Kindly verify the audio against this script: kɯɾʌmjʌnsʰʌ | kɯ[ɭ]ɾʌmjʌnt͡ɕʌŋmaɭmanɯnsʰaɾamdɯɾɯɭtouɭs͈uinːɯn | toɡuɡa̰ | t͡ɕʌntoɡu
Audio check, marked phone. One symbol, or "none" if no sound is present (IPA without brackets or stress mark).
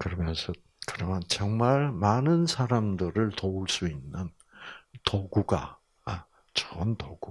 none